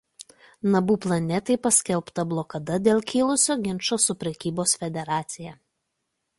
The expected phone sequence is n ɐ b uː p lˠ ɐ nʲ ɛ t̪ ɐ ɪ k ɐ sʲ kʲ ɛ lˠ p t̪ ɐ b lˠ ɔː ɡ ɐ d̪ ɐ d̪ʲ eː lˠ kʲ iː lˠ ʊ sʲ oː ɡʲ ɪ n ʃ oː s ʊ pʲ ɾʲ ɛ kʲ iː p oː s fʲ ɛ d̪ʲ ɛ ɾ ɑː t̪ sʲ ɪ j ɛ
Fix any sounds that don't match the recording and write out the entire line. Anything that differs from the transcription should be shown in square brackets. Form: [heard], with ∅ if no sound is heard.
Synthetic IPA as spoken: n ɐ b uː p lˠ ɐ nʲ ɛ t̪ ɐ ɪ [p] ɐ sʲ kʲ ɛ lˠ p t̪ ɐ b lˠ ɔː [k] ɐ d̪ ɐ d̪ʲ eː lˠ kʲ iː lˠ ʊ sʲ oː ɡʲ ɪ n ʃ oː s ʊ pʲ ɾʲ ɛ kʲ iː [b] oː s fʲ ɛ d̪ʲ ɛ ɾ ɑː t̪ sʲ ɪ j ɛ